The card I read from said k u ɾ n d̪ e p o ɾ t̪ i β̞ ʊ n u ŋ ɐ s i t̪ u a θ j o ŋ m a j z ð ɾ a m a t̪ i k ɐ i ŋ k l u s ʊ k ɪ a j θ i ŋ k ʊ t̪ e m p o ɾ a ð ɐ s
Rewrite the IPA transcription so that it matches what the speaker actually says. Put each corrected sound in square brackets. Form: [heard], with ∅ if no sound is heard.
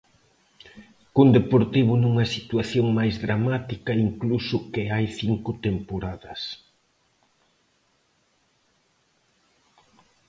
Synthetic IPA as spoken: k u [∅] n d̪ e p o ɾ t̪ i β̞ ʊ n u ŋ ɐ s i t̪ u a θ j o ŋ m a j z ð ɾ a m a t̪ i k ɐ i ŋ k l u s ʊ k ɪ a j θ i ŋ k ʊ t̪ e m p o ɾ a ð ɐ s